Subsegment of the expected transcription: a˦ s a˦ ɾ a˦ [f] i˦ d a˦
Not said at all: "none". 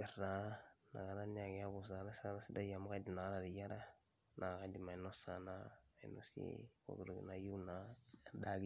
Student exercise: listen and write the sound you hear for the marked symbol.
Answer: s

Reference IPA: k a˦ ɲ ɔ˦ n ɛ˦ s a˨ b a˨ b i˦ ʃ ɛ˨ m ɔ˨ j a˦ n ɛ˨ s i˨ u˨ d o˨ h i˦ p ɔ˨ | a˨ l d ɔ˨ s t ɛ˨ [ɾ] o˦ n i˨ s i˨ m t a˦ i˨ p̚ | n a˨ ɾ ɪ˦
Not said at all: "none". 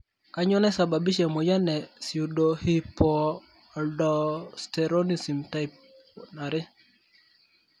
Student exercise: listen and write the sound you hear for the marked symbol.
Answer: ɾ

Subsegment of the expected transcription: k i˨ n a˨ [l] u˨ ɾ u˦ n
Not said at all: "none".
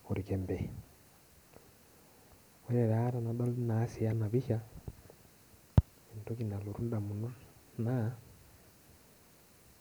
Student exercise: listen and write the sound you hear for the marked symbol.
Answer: l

